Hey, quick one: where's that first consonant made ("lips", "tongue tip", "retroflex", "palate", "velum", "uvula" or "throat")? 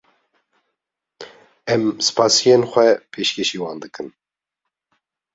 lips